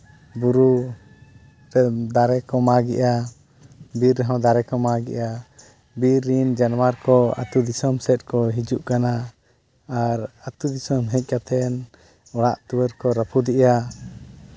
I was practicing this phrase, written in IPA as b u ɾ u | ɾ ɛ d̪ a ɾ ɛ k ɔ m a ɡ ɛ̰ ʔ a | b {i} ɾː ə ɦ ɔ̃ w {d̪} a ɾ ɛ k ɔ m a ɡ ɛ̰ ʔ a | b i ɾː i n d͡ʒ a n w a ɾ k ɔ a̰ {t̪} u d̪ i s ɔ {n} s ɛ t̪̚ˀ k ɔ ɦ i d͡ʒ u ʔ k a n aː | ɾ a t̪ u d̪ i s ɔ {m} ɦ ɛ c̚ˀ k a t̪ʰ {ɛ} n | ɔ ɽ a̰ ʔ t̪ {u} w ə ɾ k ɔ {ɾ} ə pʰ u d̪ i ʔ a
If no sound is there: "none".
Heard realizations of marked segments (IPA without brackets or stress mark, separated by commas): i, d̪, t̪, m, m, ɛ, u, ɾ